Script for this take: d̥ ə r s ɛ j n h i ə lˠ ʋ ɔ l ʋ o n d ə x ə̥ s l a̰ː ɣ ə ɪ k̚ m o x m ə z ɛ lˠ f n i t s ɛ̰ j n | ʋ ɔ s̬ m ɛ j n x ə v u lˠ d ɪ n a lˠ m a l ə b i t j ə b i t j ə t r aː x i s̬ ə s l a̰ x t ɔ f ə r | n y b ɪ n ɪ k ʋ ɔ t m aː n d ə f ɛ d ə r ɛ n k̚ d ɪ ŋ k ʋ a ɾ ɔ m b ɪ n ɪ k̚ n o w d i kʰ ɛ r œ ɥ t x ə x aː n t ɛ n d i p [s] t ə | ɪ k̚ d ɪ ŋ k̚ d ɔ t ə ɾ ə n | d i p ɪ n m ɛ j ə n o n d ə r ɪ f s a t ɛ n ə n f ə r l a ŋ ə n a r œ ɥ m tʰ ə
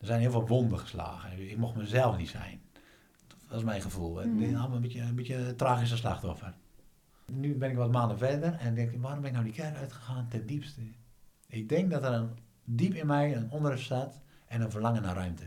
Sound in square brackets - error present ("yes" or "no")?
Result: no